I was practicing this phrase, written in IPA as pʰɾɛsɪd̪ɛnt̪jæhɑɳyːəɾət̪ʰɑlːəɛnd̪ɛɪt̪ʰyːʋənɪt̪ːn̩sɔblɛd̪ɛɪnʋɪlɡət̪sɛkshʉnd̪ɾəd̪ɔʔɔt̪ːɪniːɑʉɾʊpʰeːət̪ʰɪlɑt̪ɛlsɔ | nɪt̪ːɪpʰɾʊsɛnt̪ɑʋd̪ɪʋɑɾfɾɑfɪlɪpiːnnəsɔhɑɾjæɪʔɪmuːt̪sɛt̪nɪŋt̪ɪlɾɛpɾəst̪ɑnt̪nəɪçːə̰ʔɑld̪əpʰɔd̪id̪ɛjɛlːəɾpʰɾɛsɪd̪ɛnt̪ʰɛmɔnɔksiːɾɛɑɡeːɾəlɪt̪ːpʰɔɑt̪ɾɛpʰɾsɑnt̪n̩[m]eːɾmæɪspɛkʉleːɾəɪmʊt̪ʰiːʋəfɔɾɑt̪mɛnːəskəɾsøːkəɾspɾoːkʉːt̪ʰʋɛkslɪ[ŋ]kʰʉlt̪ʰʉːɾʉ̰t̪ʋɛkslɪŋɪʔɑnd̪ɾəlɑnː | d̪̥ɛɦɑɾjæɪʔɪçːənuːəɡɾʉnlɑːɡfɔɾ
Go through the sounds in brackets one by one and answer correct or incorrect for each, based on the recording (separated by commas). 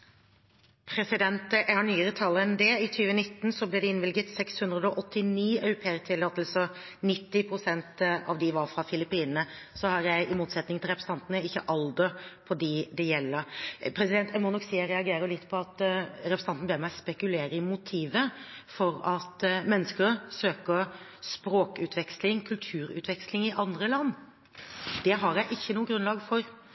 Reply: incorrect, correct